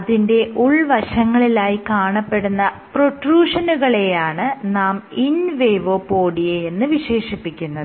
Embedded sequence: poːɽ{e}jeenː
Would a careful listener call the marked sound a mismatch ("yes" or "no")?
yes